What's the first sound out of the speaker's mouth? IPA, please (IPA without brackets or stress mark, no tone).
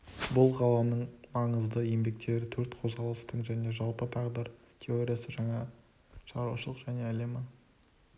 b